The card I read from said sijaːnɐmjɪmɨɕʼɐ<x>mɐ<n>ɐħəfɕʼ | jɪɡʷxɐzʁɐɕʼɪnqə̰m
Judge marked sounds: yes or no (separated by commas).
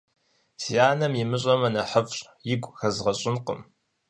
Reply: no, yes